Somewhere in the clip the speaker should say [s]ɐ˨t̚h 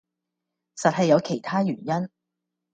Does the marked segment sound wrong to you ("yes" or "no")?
no